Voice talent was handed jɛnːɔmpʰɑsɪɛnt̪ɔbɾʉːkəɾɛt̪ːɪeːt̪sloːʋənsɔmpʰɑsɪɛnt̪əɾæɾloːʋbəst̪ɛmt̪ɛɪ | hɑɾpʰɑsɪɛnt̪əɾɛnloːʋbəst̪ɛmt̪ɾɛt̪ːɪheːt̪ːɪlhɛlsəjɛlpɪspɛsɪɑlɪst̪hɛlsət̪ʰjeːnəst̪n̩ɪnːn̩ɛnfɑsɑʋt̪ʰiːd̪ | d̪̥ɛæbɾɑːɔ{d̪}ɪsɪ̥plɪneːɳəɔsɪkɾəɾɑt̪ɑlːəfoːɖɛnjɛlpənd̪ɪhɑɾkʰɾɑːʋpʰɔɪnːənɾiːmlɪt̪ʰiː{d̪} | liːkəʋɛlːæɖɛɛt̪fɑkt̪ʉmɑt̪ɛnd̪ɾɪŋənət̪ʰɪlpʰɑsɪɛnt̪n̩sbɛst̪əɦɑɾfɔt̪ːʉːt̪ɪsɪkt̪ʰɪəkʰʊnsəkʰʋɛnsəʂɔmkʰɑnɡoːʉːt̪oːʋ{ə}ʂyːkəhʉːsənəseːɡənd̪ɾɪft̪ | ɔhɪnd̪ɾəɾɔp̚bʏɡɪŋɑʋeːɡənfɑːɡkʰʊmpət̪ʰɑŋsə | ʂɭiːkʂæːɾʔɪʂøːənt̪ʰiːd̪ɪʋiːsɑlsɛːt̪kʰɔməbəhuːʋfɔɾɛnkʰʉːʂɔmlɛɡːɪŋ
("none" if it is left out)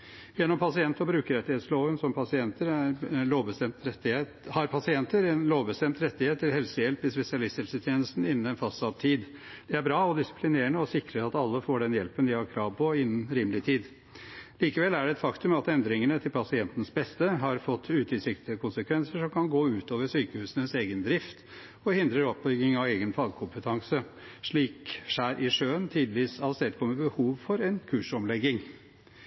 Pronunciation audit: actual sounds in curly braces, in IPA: d̪, d̪, ə

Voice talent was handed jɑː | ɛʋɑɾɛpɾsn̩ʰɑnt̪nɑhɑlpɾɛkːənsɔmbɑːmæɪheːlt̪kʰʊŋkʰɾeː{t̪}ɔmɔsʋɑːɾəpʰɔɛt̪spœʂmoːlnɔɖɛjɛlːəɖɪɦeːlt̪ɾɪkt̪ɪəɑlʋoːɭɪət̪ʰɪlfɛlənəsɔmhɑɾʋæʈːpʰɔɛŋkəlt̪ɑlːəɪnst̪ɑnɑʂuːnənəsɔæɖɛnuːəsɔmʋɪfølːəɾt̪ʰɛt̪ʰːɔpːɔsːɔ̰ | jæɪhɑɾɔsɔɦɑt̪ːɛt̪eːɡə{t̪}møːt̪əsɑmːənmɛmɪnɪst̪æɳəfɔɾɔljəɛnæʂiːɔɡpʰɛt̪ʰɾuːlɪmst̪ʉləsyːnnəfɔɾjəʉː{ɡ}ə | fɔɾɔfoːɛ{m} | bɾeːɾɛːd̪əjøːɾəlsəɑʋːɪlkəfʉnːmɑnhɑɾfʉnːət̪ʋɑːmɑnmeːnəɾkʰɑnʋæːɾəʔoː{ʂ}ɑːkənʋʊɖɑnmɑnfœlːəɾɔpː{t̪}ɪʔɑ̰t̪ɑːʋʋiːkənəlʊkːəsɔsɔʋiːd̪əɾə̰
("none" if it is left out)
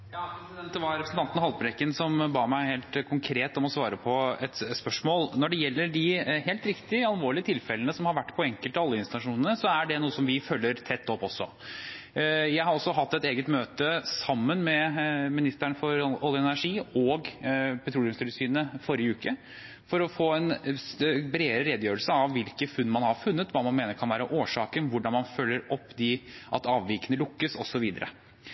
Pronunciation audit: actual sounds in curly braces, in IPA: t̪, t̪, k, n, ʂ, d̪

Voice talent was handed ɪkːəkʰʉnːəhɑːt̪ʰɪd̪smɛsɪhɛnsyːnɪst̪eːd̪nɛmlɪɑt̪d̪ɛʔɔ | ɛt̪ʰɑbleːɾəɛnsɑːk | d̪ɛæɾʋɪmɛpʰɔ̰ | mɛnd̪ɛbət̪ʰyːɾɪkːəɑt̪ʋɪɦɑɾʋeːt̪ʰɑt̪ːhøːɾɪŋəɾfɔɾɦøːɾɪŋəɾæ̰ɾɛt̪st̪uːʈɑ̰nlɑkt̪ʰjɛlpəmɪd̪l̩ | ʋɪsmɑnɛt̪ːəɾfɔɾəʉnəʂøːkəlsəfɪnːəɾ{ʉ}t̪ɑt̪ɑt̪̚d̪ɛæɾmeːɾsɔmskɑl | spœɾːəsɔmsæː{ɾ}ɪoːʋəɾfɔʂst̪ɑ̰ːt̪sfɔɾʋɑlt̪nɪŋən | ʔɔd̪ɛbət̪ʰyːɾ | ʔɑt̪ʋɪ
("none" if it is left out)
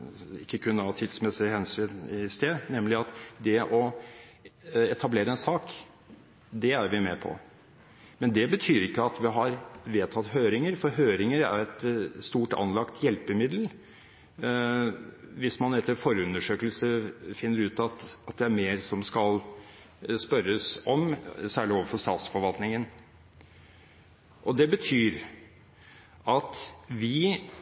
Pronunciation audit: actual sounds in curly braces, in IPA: ʉː, ɭ

